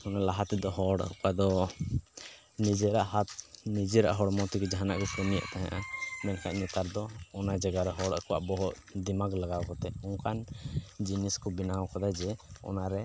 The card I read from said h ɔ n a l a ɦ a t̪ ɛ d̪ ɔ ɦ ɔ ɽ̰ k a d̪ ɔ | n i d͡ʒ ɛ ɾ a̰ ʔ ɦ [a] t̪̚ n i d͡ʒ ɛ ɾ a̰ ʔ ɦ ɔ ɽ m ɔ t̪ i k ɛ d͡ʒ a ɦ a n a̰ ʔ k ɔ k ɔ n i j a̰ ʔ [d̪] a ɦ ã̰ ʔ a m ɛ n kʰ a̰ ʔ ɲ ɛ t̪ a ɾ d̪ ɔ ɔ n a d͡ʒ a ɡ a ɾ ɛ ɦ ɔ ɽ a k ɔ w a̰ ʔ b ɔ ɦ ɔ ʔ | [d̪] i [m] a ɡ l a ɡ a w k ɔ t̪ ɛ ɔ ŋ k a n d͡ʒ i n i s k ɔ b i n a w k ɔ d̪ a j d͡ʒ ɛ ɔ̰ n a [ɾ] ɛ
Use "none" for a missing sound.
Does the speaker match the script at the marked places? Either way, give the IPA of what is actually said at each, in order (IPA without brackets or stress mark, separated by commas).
a, t̪, d̪, m, ɾ